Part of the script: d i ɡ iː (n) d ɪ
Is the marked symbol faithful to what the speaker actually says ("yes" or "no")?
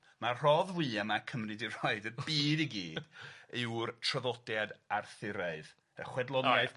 no